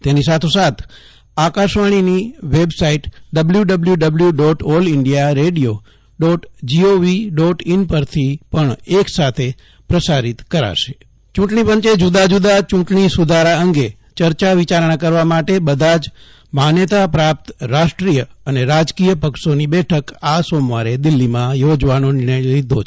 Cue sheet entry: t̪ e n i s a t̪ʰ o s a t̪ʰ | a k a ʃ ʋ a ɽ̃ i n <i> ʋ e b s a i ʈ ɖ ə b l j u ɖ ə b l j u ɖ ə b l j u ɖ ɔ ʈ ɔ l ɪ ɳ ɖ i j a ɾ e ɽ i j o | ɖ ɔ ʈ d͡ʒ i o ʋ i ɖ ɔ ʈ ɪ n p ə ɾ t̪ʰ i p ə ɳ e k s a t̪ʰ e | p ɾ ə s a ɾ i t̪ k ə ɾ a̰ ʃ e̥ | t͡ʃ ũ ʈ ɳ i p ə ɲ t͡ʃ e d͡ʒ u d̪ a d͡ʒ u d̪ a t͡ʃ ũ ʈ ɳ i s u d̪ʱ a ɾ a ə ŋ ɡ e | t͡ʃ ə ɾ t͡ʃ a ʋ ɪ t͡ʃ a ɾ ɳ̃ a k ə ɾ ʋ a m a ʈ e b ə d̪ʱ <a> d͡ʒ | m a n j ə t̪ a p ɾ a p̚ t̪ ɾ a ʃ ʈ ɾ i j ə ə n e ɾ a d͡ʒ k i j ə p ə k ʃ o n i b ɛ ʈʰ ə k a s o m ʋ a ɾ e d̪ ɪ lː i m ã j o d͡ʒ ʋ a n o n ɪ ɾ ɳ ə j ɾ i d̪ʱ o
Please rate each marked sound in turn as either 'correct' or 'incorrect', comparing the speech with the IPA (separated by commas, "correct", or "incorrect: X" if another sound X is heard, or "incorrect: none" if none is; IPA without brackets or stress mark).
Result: correct, correct